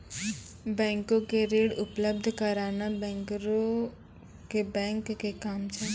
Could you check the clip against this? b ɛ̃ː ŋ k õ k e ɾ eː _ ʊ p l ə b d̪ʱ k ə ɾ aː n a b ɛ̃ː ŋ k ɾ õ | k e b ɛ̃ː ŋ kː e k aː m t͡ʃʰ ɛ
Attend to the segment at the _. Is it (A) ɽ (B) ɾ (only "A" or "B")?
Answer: A